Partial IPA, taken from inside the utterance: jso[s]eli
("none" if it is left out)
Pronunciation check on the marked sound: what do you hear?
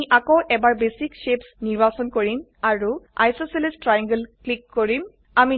s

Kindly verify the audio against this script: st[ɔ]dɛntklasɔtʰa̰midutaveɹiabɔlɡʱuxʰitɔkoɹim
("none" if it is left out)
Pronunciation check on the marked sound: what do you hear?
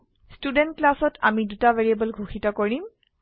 u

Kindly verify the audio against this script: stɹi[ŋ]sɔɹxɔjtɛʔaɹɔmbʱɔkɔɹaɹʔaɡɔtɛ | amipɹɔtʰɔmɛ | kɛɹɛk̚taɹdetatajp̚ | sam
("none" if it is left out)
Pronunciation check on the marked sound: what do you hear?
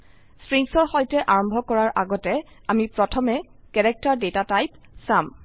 ŋ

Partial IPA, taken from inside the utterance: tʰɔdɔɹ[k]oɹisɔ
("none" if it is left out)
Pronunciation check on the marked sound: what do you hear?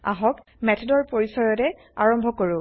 p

